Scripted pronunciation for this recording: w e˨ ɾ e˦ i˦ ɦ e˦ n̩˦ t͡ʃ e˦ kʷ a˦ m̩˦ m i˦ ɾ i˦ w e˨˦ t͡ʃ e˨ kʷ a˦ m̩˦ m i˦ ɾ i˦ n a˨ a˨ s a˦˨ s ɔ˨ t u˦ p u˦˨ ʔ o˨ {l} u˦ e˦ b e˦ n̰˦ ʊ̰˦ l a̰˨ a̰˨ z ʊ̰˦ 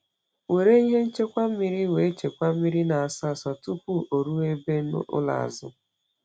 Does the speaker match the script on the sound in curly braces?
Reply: no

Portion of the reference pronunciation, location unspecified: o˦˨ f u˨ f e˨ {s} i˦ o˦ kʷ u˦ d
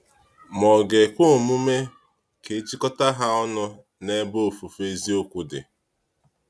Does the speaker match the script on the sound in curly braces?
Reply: no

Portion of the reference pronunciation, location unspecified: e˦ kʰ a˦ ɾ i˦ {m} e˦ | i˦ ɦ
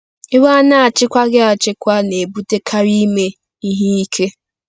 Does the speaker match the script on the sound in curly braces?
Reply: yes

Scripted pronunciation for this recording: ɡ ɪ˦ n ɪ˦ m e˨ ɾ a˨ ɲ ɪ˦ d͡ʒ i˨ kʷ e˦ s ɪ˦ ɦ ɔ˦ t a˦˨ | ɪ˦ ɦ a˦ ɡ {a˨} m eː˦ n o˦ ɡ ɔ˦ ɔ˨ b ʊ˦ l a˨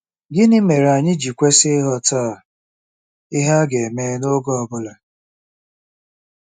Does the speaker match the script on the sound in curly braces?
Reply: no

